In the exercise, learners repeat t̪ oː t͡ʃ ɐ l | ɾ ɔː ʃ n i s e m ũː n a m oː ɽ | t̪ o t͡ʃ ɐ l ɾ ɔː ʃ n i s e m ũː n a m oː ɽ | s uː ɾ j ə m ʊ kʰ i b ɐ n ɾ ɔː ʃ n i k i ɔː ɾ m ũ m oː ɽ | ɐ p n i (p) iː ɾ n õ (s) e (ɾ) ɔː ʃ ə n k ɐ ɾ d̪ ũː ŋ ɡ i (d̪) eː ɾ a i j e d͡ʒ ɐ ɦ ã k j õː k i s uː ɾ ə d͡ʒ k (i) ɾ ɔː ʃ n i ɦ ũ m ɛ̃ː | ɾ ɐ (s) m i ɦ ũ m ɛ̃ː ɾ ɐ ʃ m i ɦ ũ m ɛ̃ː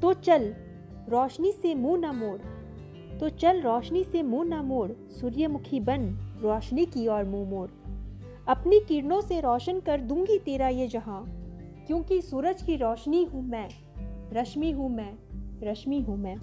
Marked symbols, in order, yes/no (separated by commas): no, yes, yes, no, yes, no